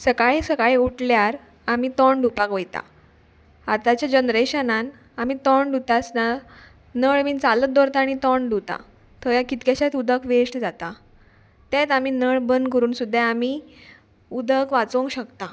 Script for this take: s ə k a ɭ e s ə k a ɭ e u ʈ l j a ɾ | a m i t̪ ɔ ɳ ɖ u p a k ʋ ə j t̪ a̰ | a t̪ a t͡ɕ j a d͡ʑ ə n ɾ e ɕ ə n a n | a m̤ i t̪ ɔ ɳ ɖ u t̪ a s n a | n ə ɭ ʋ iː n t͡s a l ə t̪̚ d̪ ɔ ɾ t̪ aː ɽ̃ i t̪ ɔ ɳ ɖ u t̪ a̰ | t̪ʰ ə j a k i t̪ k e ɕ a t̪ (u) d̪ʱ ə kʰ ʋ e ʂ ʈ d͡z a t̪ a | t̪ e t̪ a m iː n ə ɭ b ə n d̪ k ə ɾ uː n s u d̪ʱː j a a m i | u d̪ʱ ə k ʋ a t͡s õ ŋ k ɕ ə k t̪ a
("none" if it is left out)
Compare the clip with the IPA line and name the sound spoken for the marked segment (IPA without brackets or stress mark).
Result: u